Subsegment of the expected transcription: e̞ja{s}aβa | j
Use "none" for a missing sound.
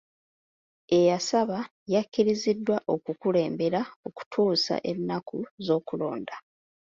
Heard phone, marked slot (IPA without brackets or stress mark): s